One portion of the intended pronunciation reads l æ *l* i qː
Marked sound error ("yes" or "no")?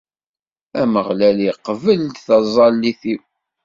no